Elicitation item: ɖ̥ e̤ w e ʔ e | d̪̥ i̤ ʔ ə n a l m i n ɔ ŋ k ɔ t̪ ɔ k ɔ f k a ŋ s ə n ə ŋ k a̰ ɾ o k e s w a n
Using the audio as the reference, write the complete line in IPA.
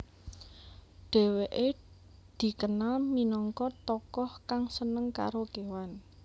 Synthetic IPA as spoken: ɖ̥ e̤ w e ʔ e | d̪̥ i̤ k ə n a l m i n ɔ ŋ k ɔ t̪ ɔ k ɔ h k a ŋ s ə n ə ŋ k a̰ ɾ o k e w a n